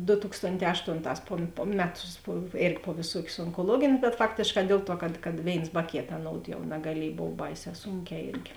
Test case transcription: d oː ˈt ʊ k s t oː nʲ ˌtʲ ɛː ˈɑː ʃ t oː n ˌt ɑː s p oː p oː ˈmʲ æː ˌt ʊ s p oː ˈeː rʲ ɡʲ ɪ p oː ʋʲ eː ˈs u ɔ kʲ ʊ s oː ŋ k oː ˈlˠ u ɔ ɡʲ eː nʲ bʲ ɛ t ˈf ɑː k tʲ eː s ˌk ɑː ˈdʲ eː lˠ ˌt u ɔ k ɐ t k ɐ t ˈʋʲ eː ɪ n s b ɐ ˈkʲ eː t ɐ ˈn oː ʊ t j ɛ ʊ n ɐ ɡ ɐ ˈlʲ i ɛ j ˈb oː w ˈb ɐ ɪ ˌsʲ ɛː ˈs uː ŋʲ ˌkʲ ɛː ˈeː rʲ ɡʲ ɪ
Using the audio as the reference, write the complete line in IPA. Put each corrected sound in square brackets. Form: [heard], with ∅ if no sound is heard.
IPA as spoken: d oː ˈt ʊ k s t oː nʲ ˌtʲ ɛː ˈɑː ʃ t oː n ˌt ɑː s p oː p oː ˈmʲ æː ˌt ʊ s p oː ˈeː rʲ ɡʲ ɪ p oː ʋʲ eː ˈs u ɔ kʲ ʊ s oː ŋ k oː ˈlˠ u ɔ ɡʲ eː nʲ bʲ ɛ t ˈf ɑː k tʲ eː [ʃ] ˌk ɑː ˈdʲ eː lˠ ˌt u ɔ k ɐ t k ɐ t ˈʋʲ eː ɪ n s b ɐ ˈkʲ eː t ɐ ˈn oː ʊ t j ɛ ʊ n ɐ ɡ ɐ ˈlʲ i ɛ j ˈb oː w ˈb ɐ ɪ ˌsʲ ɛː ˈs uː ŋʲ ˌkʲ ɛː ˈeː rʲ ɡʲ ɪ

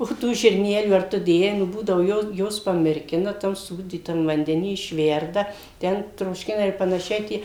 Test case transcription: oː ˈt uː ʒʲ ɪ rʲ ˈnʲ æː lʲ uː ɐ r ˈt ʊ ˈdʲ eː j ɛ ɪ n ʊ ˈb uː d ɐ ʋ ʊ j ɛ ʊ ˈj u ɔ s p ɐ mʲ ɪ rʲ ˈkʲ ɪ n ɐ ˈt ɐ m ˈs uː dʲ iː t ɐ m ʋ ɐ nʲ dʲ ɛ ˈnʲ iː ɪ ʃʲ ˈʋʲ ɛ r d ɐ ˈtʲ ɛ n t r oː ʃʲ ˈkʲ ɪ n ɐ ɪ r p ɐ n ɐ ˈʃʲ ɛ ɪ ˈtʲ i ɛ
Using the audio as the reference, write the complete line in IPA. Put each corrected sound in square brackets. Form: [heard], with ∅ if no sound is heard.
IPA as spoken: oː ˈt uː ʒʲ ɪ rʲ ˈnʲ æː lʲ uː ɐ r ˈt ʊ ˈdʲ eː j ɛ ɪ n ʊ ˈb uː d ɐ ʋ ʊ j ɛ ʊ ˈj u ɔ s p ɐ mʲ ɪ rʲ ˈkʲ ɪ n ɐ ˈt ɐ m ˈs uː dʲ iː t ɐ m ʋ ɐ nʲ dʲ ɛ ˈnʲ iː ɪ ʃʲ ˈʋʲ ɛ r d ɐ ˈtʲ ɛ n t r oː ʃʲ ˈkʲ ɪ n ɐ ɪ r p ɐ n ɐ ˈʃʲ ɛ ɪ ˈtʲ i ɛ

